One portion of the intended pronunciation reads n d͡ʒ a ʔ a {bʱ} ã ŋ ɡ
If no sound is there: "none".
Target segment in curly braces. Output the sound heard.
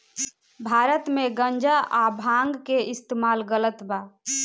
bʱ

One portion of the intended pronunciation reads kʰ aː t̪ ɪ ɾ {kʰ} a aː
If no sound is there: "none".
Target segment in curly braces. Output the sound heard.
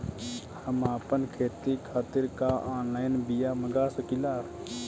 k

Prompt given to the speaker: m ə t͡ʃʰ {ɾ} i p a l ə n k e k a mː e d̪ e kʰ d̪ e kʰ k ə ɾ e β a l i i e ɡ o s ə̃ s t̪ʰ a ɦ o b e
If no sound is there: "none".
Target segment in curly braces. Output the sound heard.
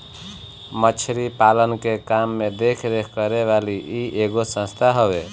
ɾ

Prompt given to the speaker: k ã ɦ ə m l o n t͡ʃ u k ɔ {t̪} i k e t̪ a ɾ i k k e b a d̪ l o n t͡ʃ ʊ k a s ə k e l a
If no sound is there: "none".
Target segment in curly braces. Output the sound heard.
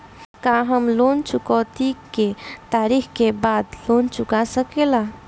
t̪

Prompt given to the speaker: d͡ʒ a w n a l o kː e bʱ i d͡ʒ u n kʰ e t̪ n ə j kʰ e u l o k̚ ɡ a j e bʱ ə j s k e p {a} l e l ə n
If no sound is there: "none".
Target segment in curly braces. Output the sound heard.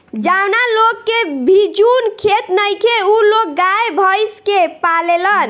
a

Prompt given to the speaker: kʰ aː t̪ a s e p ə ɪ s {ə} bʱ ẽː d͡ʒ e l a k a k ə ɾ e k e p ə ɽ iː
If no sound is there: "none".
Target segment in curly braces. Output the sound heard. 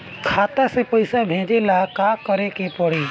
a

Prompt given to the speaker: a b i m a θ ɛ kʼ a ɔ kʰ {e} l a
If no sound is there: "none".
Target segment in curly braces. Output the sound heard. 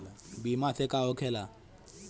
ɛ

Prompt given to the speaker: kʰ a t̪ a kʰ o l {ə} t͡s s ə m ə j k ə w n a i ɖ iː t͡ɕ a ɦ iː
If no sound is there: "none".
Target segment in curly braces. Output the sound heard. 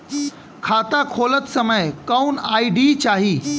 ə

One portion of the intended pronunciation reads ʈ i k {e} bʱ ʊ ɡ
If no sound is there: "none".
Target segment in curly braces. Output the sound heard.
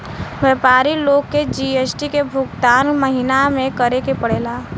e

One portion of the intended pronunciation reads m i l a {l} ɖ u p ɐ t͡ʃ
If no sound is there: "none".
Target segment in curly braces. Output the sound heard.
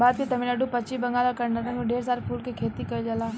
none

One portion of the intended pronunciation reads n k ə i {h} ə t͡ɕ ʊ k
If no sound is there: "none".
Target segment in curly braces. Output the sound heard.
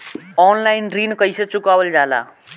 s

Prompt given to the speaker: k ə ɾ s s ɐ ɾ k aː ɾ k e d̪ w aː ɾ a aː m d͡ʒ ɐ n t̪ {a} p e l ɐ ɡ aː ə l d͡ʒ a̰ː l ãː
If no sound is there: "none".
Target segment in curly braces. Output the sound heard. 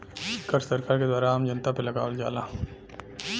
a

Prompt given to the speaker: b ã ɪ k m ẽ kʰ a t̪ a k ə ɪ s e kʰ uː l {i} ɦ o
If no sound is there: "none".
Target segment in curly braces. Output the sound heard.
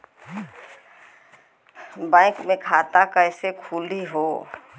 i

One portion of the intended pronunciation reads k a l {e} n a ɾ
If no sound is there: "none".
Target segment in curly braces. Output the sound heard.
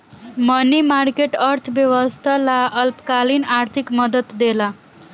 i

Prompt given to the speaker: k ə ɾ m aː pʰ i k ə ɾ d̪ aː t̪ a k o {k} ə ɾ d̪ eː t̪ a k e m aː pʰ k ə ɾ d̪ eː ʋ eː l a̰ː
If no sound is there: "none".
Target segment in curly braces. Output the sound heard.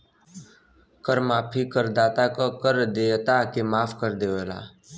k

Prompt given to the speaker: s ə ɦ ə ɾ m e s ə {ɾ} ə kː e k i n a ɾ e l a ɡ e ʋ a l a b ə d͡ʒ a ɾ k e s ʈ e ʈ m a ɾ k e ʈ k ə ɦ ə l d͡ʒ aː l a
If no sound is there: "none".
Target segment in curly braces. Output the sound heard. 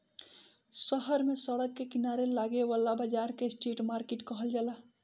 ɽ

